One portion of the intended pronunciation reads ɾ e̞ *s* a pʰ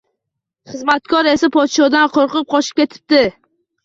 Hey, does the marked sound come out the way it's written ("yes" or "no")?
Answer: yes